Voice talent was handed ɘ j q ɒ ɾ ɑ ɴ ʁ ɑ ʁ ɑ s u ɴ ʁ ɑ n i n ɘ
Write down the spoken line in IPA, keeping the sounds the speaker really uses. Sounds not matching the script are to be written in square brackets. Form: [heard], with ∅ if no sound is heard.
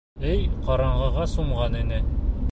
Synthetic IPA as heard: ɘ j q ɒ ɾ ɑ ɴ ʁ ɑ ʁ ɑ s u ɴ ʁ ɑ n i n ɘ